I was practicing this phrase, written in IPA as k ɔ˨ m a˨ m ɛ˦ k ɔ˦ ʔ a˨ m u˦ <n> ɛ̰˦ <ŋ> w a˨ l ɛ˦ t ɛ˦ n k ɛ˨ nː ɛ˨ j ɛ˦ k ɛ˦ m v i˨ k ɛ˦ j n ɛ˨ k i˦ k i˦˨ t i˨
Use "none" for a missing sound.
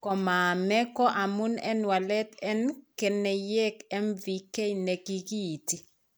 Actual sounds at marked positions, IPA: n, n

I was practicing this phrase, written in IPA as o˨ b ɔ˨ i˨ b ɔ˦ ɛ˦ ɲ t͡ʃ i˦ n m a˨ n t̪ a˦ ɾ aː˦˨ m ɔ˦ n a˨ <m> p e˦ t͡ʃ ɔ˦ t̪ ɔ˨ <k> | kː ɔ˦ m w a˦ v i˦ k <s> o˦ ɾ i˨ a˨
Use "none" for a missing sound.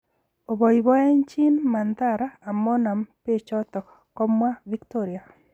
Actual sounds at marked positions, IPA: m, k, t

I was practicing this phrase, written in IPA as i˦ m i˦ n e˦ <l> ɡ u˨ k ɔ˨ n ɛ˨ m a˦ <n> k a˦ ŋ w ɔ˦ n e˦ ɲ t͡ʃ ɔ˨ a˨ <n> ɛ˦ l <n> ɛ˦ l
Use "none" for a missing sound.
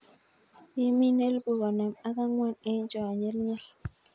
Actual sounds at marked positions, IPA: l, none, ɲ, ɲ

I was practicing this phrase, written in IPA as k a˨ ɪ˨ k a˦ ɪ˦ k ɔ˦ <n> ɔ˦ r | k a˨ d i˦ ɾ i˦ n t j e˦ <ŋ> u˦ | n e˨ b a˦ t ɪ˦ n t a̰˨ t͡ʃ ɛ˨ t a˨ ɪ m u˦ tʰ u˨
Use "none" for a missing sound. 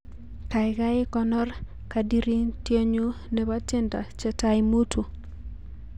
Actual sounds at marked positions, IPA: n, ɲ

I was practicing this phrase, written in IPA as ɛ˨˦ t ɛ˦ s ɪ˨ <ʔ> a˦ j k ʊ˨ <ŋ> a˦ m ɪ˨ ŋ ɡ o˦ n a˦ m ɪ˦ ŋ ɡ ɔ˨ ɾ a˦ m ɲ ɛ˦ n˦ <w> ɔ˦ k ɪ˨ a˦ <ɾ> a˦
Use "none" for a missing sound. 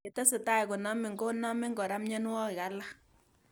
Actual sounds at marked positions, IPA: t, n, w, l

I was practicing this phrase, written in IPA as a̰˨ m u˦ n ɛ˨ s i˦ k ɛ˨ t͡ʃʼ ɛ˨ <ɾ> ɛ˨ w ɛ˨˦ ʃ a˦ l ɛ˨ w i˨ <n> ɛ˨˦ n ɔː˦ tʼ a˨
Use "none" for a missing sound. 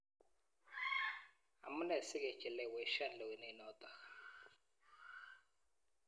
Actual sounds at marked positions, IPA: l, n

